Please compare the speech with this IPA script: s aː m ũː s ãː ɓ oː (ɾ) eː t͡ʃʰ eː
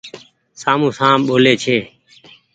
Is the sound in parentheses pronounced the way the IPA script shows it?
no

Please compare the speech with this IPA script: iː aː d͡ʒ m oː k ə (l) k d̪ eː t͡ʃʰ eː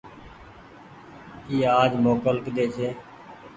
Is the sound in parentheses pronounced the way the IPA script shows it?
yes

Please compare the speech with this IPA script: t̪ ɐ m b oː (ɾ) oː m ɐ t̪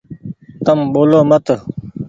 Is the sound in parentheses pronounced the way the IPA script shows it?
no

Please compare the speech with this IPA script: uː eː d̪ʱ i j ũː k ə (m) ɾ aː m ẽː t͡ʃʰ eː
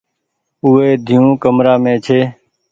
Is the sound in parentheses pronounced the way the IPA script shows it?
yes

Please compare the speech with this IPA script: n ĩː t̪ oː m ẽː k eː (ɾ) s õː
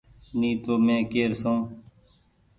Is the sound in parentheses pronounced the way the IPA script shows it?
yes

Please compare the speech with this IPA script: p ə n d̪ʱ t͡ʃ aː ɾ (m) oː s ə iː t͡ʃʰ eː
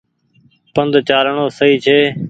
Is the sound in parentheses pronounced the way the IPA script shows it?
no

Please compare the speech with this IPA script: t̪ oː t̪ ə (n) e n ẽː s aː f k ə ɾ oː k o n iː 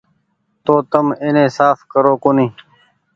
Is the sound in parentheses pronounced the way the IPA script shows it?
no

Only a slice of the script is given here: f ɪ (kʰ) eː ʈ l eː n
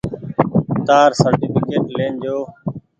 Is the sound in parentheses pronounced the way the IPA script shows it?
no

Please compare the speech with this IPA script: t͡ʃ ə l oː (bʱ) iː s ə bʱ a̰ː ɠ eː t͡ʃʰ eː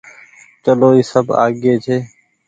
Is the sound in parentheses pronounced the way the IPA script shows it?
no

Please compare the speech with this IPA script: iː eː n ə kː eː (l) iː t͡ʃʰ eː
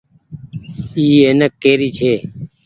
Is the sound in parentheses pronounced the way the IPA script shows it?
no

